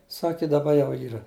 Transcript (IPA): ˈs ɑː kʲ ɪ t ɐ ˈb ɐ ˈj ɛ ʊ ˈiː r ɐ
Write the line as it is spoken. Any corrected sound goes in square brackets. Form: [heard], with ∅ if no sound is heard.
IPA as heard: ˈs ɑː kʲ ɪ [d] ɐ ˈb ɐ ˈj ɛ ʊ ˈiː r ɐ